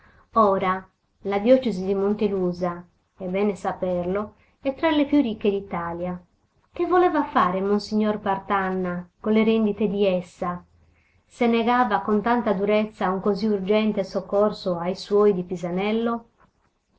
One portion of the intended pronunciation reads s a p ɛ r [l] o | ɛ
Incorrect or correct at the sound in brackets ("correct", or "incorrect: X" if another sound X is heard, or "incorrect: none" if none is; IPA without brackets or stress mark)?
correct